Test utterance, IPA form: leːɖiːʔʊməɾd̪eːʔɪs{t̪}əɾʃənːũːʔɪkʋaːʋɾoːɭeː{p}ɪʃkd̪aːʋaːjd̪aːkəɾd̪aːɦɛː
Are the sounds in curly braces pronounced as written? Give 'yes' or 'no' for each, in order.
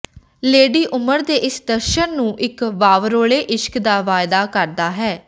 no, no

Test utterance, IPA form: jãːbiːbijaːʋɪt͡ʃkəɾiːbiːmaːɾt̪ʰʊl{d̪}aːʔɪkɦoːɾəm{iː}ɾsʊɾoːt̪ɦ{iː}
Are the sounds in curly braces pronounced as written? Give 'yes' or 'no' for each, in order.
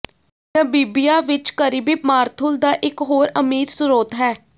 yes, yes, no

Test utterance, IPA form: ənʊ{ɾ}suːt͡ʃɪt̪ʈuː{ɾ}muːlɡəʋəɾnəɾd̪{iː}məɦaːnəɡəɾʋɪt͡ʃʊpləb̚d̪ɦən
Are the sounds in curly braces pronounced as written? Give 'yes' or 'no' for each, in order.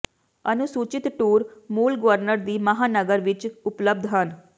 no, yes, yes

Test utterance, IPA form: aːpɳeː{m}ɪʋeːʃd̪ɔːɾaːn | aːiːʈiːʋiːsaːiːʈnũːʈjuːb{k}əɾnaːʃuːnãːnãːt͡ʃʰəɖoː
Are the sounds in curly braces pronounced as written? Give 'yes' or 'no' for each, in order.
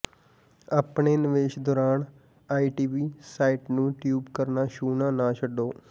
no, yes

